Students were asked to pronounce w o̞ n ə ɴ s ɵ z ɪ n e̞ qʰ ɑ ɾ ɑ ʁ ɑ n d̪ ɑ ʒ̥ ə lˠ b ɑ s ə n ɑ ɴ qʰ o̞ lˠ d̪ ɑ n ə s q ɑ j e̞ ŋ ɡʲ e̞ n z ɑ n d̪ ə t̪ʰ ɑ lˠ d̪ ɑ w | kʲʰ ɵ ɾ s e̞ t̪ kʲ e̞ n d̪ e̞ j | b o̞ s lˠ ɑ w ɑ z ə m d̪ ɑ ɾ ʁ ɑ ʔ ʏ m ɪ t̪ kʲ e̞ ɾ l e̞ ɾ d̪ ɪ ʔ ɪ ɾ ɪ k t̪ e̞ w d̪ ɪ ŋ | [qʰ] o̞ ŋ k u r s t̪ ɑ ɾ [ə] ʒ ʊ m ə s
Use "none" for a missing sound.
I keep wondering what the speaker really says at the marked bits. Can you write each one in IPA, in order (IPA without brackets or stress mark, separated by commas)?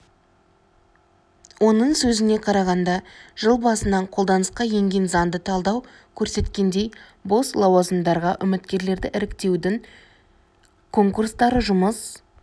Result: kʰ, ə